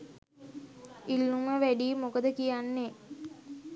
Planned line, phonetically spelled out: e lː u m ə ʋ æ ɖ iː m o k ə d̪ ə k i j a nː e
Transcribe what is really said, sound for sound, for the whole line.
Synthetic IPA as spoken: i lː u m ə ʋ æ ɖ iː m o k ə d̪ ə k i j a nː e